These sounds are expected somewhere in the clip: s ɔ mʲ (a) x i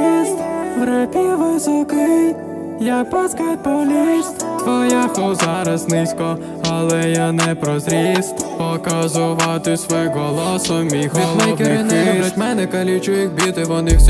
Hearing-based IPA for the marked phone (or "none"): i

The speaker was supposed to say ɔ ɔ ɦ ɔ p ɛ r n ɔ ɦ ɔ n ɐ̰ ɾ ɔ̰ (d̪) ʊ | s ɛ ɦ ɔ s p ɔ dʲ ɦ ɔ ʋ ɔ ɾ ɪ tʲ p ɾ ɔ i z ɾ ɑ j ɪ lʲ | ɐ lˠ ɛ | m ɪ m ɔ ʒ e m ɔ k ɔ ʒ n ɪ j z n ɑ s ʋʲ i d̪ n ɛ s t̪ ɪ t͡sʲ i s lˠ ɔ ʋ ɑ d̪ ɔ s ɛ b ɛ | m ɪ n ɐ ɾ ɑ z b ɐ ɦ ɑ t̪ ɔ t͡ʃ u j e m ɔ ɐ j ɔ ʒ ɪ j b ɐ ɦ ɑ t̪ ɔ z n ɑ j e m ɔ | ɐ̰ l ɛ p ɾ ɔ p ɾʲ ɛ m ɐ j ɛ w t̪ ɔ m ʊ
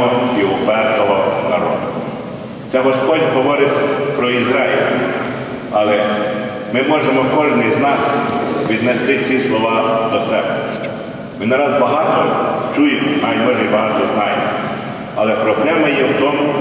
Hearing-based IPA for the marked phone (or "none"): d̪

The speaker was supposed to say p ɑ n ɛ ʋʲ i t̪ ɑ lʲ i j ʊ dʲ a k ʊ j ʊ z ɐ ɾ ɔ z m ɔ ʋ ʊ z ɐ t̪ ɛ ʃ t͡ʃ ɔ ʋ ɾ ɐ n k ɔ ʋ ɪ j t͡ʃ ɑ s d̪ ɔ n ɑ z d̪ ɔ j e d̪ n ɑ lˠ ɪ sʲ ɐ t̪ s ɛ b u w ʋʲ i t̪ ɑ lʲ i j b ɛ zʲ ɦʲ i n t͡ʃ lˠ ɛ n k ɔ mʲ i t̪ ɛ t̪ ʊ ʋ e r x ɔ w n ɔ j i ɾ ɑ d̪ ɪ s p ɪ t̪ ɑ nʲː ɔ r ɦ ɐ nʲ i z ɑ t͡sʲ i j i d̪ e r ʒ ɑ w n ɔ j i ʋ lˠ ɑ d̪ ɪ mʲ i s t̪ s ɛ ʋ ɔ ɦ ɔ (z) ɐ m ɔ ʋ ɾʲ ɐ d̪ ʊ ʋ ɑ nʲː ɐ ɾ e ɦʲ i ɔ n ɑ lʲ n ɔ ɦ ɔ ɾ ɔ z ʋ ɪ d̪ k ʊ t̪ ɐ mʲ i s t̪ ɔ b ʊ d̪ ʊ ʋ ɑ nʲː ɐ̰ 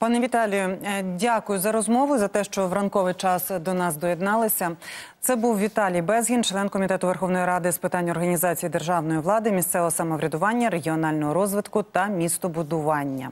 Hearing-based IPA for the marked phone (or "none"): s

